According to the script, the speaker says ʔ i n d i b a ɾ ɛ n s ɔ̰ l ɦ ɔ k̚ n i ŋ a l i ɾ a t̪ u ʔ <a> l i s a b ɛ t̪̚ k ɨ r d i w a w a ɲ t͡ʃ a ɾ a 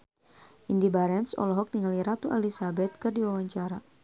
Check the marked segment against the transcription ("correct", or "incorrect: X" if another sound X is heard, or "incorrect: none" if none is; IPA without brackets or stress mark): correct